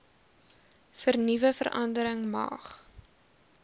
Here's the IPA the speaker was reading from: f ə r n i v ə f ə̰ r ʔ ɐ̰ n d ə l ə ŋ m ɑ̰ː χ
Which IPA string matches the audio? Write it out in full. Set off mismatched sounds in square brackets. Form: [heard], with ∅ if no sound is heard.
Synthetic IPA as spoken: f ə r n i v ə f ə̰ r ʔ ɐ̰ n d ə [ɾ] ə ŋ m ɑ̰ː χ